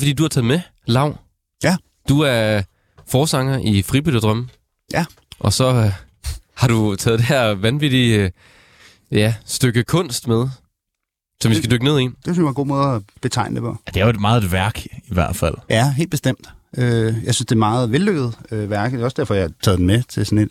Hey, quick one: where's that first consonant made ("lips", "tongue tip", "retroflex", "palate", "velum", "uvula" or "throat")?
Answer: lips